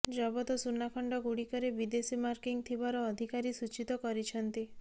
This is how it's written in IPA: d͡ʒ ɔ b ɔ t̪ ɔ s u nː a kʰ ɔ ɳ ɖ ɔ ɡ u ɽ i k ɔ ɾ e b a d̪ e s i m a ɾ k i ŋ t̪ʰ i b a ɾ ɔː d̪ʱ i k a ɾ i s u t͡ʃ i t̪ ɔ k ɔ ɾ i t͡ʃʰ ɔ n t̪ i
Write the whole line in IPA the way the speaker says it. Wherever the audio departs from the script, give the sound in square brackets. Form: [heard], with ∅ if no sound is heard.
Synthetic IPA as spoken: d͡ʒ ɔ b ɔ t̪ ɔ s u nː a kʰ ɔ ɳ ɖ ɔ ɡ u ɽ i k ɔ ɾ e b [i] d̪ e s i m a ɾ k i ŋ t̪ʰ i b a ɾ ɔː d̪ʱ i k a ɾ i s u t͡ʃ i t̪ ɔ k ɔ ɾ i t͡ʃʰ ɔ n t̪ i